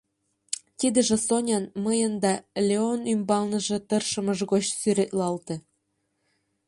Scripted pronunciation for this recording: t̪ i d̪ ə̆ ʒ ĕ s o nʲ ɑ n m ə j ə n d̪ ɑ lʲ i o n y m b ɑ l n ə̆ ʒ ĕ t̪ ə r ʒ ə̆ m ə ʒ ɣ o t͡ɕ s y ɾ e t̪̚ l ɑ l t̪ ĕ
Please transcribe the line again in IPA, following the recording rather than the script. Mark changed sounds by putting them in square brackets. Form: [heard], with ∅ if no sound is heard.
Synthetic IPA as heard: t̪ i d̪ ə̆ ʒ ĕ s o nʲ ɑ n m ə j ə n d̪ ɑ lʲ [e] o n y m b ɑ l n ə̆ ʒ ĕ t̪ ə r [ʃ] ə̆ m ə ʒ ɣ o t͡ɕ s y ɾ e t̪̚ l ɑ l t̪ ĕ

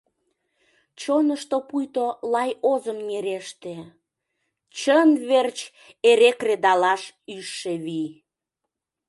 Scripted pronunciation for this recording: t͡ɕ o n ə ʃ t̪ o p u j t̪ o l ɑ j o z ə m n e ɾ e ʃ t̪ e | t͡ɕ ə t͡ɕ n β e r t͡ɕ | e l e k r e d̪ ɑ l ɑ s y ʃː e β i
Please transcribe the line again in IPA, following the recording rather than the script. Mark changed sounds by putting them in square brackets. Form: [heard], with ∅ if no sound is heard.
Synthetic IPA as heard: t͡ɕ o n ə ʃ t̪ o p u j t̪ o l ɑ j o z ə m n e ɾ e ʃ t̪ e | t͡ɕ ə [∅] n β e r t͡ɕ | e [ɾ] e k r e d̪ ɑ l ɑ [ʃ] y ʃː e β i

